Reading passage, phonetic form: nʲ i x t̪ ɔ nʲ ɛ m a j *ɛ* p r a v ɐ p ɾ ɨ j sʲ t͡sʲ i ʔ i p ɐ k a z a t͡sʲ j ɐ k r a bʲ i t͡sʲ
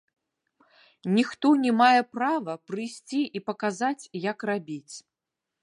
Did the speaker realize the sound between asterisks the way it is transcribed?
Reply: yes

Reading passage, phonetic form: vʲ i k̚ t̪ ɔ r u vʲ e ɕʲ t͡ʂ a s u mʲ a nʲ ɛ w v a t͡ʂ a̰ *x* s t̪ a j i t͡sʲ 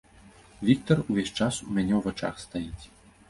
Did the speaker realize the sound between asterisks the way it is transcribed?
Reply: yes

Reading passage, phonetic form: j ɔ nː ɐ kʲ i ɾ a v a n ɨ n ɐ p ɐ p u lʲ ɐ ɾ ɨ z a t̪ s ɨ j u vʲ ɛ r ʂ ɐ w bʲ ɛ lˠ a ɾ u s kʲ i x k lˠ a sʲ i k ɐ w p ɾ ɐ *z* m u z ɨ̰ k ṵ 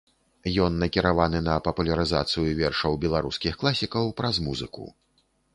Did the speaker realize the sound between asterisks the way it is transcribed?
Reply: yes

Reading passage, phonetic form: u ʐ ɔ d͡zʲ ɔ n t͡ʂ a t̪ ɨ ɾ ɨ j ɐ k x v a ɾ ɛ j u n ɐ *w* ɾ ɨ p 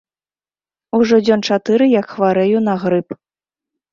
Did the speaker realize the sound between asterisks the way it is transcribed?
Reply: no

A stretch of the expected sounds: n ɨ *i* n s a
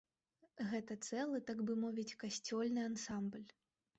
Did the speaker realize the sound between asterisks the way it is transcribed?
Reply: no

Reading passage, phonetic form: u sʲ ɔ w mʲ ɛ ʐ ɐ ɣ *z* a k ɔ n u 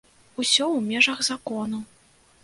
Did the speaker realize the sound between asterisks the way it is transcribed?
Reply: yes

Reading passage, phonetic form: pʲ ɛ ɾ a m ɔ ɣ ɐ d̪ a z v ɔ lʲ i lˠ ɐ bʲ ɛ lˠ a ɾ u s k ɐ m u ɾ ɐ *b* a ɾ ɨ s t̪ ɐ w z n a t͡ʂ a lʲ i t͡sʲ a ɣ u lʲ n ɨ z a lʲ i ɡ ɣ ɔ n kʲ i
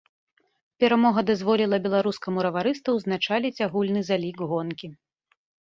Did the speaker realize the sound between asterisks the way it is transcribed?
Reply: no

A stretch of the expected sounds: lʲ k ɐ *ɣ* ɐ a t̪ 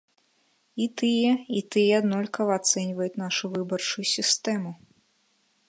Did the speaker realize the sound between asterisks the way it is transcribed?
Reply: no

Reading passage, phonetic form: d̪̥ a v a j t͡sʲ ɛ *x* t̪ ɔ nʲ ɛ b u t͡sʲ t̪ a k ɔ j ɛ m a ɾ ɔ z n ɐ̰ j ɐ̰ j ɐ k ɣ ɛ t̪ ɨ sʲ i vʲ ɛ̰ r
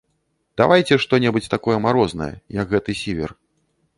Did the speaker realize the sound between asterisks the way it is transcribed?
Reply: no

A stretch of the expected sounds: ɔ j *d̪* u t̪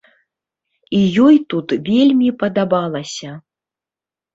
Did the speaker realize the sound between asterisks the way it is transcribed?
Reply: no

